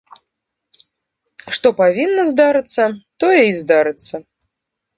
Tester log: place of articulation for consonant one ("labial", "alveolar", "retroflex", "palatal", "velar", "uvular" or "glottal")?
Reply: retroflex